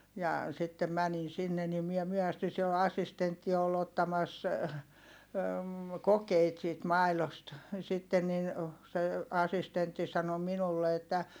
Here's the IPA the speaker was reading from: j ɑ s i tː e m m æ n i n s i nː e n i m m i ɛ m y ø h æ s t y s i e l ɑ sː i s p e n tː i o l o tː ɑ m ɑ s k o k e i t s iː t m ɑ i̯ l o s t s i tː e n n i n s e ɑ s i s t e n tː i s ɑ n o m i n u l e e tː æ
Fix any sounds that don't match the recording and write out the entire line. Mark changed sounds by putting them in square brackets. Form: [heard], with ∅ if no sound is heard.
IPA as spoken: j ɑ s i tː e m m æ n i n s i nː e n i m m i ɛ m y ø h æ s t y s i e l ɑ sː i s [t] e n tː i o l o tː ɑ m ɑ s k o k e i t s iː t m ɑ i̯ l o s t s i tː e n n i n s e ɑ s i s t e n tː i s ɑ n o m i n u [lː] e e tː æ